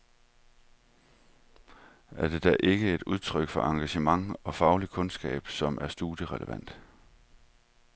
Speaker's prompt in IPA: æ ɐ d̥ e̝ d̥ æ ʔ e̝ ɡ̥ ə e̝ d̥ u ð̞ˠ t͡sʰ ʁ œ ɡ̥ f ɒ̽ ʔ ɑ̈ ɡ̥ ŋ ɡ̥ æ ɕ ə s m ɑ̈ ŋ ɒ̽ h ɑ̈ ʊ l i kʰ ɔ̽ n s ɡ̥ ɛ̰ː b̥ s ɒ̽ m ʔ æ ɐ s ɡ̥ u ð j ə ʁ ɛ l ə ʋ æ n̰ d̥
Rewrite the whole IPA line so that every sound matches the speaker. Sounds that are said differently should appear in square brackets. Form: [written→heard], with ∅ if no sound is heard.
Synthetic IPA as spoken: æ ɐ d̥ e̝ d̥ æ ʔ e̝ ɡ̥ ə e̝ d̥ u ð̞ˠ t͡sʰ ʁ œ ɡ̥ f ɒ̽ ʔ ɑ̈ [ɡ̥→∅] ŋ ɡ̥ æ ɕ ə [s→∅] m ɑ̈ ŋ ɒ̽ [h→f] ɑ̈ ʊ l i kʰ ɔ̽ n s ɡ̥ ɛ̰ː b̥ s ɒ̽ m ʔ æ ɐ s [ɡ̥→d̥] u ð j ə ʁ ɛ l ə ʋ æ n̰ d̥